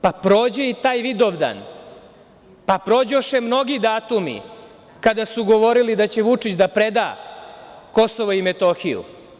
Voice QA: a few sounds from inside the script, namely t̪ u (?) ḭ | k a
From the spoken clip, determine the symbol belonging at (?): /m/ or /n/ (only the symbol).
m